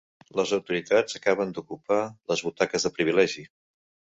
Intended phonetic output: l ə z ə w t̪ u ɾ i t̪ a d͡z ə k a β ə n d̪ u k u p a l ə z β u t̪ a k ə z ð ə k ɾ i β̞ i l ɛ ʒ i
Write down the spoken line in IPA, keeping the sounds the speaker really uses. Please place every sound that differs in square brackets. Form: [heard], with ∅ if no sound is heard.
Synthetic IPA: l ə z ə w t̪ u ɾ i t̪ a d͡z ə k a β ə n d̪ u k u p a l ə z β u t̪ a k ə z ð ə [p] ɾ i β̞ i l ɛ ʒ i